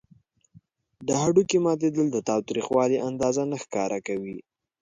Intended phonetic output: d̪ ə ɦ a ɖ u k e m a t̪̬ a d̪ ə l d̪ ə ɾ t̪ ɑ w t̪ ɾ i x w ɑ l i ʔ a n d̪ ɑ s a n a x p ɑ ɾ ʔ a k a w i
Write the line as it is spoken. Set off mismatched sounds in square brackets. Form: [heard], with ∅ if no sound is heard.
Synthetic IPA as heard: d̪ ə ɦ a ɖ u k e m [ɑ] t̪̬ [e] d̪ ə l d̪ ə [∅] t̪ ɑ w t̪ ɾ i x w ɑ l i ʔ a n d̪ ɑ [z] a n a x [k] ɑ ɾ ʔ a k a w i